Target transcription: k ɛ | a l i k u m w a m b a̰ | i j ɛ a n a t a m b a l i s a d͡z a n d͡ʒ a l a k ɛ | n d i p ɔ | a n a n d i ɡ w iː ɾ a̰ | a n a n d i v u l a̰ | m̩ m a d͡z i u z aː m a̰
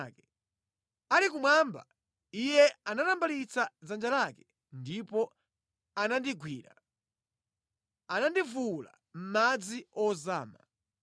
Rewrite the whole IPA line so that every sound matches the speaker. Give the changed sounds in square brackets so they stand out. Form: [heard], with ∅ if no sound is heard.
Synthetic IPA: k ɛ | a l i k u m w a m b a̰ | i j ɛ a n a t a m b a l i [t͡s] a d͡z a n d͡ʒ a l a k ɛ | n d i p ɔ | a n a n d i ɡ w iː ɾ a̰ | a n a n d i v u l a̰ | m̩ m a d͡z i [ɔ] z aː m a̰